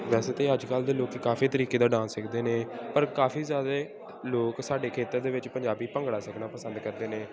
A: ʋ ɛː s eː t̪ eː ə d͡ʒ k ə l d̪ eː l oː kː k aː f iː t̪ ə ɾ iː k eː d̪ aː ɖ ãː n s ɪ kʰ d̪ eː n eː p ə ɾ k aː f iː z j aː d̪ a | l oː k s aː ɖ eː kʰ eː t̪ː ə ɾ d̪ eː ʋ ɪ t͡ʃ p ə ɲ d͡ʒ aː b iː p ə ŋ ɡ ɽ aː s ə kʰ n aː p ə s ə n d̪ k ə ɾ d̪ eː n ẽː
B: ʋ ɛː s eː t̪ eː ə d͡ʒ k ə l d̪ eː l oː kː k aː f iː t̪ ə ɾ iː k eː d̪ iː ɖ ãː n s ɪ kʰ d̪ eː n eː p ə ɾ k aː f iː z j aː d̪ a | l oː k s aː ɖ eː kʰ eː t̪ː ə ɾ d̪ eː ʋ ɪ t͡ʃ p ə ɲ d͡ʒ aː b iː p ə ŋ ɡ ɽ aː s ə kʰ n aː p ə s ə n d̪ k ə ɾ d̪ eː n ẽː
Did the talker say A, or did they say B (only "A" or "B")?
A